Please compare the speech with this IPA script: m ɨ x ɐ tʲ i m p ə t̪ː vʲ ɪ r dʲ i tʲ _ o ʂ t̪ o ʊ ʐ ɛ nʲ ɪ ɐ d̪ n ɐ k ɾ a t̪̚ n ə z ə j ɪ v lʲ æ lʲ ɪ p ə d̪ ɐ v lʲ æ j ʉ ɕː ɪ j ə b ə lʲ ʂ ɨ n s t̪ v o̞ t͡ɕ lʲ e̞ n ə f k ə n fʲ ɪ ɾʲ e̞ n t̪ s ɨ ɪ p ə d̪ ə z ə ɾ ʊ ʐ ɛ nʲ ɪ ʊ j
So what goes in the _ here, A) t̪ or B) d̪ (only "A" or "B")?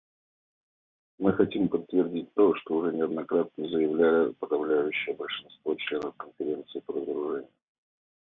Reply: A